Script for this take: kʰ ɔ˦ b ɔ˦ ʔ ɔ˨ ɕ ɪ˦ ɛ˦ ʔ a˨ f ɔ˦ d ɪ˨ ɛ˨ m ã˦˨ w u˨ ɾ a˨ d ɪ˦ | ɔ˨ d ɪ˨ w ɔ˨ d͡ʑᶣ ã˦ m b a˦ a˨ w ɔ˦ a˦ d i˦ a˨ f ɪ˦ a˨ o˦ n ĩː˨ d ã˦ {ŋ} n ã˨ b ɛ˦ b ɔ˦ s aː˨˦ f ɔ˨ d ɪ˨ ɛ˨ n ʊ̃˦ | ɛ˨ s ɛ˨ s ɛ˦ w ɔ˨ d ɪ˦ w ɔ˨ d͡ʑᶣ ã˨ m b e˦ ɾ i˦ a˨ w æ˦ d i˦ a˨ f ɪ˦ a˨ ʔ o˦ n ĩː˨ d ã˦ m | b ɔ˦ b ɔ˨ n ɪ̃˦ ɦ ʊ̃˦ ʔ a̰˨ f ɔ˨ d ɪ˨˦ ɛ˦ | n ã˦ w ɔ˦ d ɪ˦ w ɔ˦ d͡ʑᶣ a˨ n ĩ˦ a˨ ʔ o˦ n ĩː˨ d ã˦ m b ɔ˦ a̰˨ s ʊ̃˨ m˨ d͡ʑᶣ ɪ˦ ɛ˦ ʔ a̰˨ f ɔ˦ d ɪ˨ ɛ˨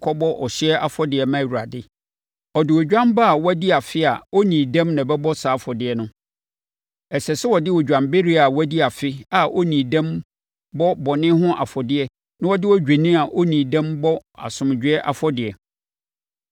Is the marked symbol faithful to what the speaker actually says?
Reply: no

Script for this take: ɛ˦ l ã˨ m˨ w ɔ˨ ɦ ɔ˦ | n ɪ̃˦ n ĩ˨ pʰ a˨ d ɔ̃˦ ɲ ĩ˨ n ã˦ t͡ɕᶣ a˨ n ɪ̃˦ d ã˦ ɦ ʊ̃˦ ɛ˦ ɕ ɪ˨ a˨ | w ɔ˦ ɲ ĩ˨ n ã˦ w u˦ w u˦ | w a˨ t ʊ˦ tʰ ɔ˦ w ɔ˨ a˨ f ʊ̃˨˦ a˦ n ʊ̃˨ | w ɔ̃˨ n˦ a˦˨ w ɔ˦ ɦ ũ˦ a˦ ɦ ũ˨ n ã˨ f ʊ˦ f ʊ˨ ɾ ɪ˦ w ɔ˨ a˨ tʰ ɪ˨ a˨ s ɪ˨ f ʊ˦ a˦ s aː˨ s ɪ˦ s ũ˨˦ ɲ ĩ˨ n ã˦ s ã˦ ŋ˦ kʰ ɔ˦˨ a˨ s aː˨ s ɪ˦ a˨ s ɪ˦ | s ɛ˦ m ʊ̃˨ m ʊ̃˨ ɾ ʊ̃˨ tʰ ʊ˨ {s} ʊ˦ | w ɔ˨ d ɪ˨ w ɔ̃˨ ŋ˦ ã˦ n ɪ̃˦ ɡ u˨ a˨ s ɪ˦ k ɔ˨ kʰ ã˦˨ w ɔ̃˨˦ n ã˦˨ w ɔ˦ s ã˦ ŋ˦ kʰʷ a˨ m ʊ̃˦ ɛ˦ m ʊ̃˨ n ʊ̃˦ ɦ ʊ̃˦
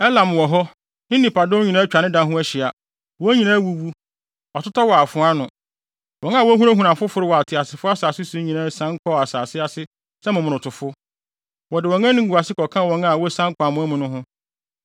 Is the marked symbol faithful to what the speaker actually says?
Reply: no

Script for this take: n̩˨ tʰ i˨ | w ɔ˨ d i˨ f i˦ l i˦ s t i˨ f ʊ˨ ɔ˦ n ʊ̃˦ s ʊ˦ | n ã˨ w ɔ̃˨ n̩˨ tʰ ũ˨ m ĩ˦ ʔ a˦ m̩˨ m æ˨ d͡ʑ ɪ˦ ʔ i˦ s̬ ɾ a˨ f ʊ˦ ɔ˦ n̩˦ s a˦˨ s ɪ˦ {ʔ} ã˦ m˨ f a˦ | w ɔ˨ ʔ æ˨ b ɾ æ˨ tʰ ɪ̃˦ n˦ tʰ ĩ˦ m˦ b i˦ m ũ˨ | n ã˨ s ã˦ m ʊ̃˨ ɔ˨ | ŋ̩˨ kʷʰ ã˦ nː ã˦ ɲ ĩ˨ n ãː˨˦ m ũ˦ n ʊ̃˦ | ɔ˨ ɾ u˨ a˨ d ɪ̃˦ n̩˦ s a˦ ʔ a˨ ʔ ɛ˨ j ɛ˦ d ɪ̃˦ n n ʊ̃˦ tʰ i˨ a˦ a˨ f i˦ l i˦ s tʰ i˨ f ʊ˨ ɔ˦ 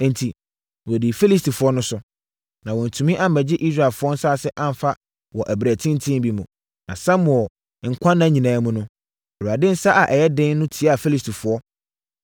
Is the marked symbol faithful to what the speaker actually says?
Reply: yes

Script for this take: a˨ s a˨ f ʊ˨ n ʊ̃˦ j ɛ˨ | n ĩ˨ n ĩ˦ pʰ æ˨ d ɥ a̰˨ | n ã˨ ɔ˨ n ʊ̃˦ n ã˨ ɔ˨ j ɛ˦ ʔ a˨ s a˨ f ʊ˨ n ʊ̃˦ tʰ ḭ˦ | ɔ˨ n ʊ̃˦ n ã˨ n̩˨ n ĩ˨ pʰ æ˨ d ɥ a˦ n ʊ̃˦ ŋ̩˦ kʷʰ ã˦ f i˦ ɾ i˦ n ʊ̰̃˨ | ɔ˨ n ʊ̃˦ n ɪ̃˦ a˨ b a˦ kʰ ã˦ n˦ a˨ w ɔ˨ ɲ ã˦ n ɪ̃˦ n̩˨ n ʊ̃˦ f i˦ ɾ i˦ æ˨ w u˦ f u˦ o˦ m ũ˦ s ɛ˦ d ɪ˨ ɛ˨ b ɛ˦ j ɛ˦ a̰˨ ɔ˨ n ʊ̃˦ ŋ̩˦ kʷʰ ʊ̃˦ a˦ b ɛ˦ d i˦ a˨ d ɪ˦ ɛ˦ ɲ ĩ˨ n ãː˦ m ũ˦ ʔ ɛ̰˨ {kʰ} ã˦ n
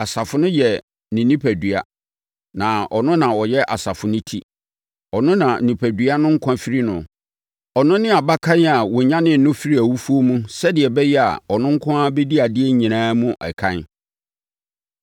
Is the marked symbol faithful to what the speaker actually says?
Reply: yes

